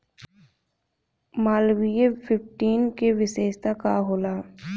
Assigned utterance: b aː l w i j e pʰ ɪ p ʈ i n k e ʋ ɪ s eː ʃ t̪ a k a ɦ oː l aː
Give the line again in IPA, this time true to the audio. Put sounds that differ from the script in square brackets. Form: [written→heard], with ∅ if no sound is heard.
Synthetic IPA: [b→m] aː l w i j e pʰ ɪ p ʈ [i→iː] n k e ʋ ɪ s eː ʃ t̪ a k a ɦ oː l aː